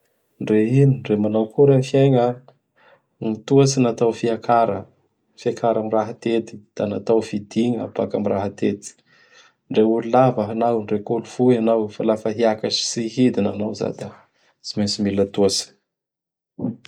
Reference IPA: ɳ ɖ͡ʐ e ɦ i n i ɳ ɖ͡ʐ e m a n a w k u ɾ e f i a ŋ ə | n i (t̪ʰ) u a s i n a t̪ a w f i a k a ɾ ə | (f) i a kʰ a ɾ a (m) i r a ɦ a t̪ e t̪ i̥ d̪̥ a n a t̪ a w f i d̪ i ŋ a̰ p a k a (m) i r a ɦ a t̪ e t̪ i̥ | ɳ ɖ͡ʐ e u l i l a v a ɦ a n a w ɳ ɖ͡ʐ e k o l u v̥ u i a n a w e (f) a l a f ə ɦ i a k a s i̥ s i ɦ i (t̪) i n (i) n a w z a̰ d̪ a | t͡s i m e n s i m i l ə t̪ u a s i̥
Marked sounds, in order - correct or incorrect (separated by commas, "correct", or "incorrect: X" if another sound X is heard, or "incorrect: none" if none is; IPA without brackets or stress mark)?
incorrect: t̪, correct, correct, correct, correct, incorrect: d̪, incorrect: a